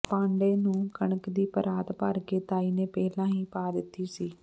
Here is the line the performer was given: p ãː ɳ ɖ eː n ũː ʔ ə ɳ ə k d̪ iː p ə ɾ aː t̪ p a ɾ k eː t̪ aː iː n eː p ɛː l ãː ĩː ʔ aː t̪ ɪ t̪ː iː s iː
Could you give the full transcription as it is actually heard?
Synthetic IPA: p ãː ɳ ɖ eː n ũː k ə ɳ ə k d̪ iː p ə ɾ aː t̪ p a ɾ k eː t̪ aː iː n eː p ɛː l ãː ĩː p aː d̪ ɪ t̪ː iː s iː

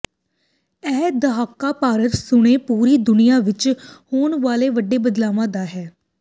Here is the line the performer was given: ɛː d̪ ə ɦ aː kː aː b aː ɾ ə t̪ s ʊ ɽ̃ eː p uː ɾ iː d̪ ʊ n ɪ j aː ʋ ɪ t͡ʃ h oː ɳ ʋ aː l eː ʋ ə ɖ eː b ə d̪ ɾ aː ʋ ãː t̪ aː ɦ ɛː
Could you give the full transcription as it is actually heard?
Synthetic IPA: ɛː d̪ ə ɦ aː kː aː p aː ɾ ə t̪ s ʊ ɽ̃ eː p uː ɾ iː d̪ ʊ n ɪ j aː ʋ ɪ t͡ʃ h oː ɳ ʋ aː l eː ʋ ə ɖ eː b ə d̪ l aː ʋ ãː d̪ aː ɦ ɛː

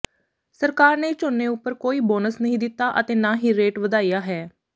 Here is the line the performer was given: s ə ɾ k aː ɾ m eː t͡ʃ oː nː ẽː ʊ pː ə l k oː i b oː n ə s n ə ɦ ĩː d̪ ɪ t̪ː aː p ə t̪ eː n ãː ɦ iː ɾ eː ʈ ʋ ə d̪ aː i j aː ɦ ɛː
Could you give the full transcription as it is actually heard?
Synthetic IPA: s ə ɾ k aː ɾ n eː t͡ʃ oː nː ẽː ʊ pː ə ɾ k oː iː b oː n ə s n ə ɦ ĩː d̪ ɪ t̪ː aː ʔ ə t̪ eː n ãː ɦ iː ɾ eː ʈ ʋ ə d̪ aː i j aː ɦ ɛː

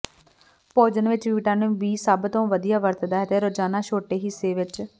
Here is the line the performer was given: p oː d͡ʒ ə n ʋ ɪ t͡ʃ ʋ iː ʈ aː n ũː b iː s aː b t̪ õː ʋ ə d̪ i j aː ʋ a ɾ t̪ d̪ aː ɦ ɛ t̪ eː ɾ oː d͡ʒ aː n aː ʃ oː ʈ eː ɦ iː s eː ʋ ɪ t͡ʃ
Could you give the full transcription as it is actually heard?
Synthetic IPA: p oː d͡ʒ ə n ʋ ɪ t͡ʃ ʋ iː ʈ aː n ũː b iː s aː b t̪ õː ʋ ə d̪ i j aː ʋ ə ɾ t̪ d̪ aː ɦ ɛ t̪ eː ɾ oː d͡ʒ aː n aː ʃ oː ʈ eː ɦ iː s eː ʋ ɪ t͡ʃ

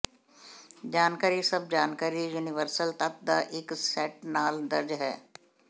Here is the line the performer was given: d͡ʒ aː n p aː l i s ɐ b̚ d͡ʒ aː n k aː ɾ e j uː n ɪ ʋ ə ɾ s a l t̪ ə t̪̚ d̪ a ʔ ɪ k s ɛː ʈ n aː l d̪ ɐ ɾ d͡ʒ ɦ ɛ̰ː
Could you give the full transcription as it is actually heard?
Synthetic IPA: d͡ʒ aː n k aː ɾ i s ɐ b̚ d͡ʒ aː n k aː ɾ i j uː n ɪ ʋ ə ɾ s ə l t̪ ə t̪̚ d̪ a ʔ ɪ k s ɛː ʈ n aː l d̪ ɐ ɾ d͡ʒ ɦ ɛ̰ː

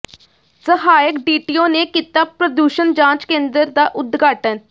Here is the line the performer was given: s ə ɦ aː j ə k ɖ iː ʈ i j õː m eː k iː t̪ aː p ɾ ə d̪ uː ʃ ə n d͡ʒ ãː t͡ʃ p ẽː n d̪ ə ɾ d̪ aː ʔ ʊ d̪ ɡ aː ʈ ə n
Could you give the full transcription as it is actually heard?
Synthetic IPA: s ə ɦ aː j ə k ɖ iː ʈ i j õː n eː k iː t̪ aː p ɾ ə d̪ uː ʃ ə n d͡ʒ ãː t͡ʃ k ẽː n d̪ ə ɾ d̪ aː ʔ ʊ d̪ ɡ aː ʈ ə n

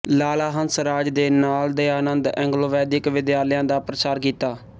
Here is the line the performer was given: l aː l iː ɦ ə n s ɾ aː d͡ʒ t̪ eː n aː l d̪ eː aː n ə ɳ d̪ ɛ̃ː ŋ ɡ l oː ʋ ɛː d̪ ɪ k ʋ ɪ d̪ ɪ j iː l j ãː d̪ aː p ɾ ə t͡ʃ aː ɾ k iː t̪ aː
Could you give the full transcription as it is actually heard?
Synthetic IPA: l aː l aː ɦ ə n s ɾ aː d͡ʒ d̪ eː n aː l d̪ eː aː n ə n d̪ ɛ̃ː ŋ ɡ l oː ʋ ɛː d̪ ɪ k ʋ ɪ d̪ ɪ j aː l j ãː d̪ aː p ɾ ə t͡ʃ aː ɾ k iː t̪ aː

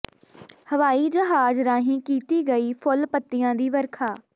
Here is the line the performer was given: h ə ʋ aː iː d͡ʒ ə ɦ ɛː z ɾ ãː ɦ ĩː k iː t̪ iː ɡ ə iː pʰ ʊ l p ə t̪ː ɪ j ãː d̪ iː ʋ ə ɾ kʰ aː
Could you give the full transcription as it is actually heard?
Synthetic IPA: h ə ʋ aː iː d͡ʒ ə ɦ aː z ɾ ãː ɦ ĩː k iː t̪ iː ɡ ə iː pʰ ʊ l p ə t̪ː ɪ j ãː d̪ iː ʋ ə ɾ kʰ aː

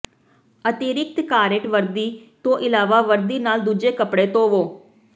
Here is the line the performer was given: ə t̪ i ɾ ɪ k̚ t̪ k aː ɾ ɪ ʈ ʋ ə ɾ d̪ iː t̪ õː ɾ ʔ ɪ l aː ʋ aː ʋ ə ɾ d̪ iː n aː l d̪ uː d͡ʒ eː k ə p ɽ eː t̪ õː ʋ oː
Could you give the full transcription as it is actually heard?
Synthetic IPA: ə t̪ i ɾ ɪ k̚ t̪ k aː ɾ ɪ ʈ ʋ ə ɾ d̪ iː t̪ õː ʔ ɪ l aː ʋ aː ʋ ə ɾ d̪ iː n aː l d̪ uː d͡ʒ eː k ə p ɽ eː t̪ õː ʋ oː

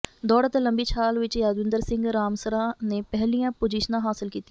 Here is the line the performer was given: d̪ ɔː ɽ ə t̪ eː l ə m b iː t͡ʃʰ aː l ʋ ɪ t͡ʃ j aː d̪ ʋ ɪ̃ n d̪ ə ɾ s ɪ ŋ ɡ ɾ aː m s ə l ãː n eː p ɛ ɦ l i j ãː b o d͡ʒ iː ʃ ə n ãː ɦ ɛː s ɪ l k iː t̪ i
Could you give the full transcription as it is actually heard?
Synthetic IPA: d̪ ɔː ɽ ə t̪ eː l ə m b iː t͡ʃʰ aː l ʋ ɪ t͡ʃ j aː d̪ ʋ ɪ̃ n d̪ ə ɾ s ɪ ŋ ɡ ɾ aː m s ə ɾ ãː n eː p ɛ ɦ l i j ãː p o d͡ʒ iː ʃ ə n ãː ɦ aː s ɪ l k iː t̪ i

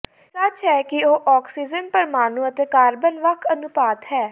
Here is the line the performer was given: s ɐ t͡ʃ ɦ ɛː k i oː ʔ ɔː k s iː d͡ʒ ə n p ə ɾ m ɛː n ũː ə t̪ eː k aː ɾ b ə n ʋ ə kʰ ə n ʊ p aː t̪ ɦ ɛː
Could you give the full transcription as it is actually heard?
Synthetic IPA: s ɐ t͡ʃ ɦ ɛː k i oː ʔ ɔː k s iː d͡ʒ ə n p ə ɾ m aː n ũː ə t̪ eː k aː ɾ b ə n ʋ ə kʰ ə n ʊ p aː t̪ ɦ ɛː

